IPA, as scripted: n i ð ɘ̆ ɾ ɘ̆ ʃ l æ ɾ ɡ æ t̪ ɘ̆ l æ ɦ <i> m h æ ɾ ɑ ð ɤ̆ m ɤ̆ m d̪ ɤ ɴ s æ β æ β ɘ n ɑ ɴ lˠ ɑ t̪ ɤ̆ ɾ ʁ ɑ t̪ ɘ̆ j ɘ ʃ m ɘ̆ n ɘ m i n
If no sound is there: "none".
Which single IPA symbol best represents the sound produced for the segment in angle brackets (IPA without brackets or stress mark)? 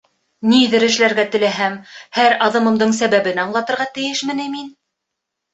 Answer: æ